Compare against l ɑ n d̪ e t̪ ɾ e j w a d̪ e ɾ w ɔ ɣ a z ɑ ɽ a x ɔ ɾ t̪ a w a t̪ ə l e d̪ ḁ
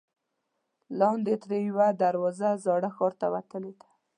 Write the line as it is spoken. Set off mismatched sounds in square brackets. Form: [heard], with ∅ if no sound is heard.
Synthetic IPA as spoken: l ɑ n d̪ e t̪ ɾ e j w a d̪ [a] ɾ w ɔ [z] a z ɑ ɽ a x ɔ ɾ t̪ a w a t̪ ə l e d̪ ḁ